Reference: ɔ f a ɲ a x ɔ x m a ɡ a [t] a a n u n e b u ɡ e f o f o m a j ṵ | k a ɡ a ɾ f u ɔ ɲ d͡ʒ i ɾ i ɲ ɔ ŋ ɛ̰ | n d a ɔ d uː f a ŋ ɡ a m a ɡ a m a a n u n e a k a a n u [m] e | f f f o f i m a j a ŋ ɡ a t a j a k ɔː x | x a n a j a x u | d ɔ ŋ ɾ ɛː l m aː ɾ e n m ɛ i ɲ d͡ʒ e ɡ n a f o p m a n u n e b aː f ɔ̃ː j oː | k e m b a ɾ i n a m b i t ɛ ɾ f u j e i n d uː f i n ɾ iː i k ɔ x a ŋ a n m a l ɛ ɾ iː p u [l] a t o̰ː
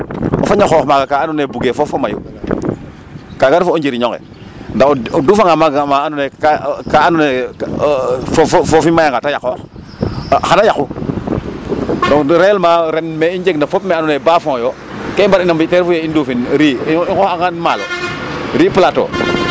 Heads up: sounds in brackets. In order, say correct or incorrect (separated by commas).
incorrect, incorrect, correct